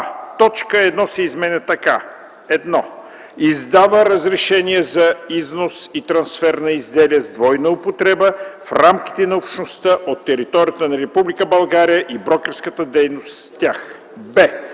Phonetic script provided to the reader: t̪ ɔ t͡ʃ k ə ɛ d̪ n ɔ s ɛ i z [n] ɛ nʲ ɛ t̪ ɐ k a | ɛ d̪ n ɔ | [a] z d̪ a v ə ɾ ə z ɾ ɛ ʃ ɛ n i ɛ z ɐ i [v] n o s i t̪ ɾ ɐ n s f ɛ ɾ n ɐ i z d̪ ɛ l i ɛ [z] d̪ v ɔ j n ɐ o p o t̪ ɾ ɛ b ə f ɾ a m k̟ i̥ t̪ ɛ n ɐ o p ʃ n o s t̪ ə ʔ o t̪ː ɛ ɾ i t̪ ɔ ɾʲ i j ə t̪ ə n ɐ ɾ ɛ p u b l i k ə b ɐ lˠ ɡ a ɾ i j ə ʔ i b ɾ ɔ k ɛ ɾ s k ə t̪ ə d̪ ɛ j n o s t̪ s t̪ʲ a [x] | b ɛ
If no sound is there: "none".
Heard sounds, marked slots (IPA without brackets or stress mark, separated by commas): m, i, z, z, x